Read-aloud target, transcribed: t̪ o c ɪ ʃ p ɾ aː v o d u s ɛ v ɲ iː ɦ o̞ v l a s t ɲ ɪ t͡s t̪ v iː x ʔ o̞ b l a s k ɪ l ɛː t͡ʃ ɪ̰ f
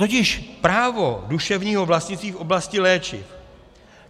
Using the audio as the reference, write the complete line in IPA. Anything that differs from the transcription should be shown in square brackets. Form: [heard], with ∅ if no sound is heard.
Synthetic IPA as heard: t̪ o c ɪ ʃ p ɾ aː v o d u [ʃ] ɛ v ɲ iː ɦ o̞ v l a s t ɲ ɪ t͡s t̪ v iː [f] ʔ o̞ b l a s [c] ɪ l ɛː t͡ʃ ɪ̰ f